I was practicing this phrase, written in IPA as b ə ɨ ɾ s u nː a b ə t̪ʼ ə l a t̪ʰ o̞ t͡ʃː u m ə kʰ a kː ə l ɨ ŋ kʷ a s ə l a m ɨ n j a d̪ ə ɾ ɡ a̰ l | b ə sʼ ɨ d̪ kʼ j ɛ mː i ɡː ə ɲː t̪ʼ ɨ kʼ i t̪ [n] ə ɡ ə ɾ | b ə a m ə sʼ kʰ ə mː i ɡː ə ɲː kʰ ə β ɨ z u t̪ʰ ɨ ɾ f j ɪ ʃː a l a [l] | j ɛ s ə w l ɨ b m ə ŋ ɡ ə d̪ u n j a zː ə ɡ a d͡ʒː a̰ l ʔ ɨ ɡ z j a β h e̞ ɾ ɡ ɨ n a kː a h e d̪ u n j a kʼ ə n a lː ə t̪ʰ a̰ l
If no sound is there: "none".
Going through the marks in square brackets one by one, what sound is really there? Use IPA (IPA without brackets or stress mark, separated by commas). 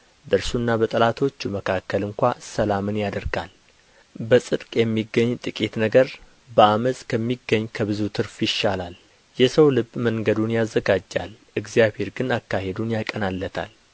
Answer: n, l